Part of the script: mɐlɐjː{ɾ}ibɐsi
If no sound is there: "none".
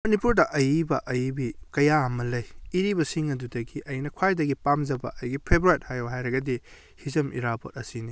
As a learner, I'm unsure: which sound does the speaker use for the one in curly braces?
ɾ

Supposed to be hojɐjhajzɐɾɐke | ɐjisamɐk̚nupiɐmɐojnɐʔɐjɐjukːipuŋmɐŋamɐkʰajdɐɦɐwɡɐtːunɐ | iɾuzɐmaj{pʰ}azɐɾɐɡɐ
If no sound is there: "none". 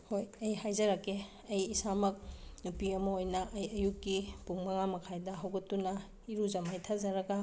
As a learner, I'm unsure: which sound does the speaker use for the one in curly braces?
tʰ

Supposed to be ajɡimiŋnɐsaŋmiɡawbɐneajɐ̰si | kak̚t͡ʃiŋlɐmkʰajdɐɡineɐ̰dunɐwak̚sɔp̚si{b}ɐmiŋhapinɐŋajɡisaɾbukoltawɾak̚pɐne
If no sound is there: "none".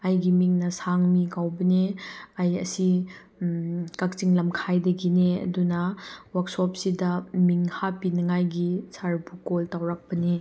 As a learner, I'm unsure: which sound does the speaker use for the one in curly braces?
d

